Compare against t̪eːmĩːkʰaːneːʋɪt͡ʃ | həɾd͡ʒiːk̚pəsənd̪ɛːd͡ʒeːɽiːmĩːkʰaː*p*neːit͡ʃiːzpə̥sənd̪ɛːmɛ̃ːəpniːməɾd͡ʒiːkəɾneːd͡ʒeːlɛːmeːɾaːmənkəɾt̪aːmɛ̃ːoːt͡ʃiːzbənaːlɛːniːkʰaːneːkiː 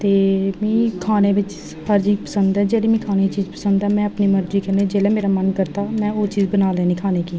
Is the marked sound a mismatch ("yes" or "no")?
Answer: yes